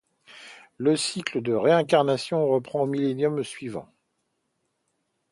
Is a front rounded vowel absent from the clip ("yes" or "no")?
yes